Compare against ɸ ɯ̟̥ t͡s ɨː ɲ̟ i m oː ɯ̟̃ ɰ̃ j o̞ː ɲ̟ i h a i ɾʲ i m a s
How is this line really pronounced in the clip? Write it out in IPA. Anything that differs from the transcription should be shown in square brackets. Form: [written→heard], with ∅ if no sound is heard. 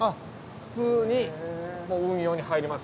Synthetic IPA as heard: ɸ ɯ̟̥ t͡s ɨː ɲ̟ i m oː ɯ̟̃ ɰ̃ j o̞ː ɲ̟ i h a i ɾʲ i m a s